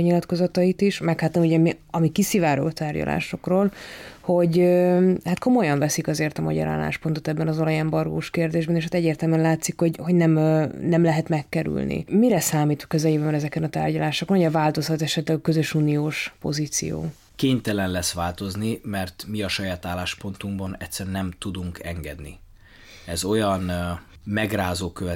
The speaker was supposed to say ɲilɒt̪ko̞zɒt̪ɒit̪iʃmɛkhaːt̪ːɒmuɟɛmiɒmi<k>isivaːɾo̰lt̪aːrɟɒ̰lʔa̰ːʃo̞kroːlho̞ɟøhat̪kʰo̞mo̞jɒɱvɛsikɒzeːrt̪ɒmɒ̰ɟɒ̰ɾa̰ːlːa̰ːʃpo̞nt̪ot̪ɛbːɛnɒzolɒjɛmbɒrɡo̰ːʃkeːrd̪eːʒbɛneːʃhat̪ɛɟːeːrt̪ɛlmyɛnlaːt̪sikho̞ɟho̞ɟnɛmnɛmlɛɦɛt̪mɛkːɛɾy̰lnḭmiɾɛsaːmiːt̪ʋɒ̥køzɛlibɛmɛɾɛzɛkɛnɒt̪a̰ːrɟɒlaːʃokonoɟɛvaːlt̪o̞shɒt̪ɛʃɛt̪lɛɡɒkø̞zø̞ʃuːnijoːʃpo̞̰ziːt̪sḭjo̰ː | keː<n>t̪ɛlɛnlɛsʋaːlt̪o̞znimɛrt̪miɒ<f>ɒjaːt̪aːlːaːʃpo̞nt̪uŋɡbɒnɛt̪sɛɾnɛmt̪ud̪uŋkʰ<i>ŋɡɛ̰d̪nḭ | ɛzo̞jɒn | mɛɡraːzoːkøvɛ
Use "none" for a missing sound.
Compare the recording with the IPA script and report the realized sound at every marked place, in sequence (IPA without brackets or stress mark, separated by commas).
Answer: k, ɲ, ʃ, ɛ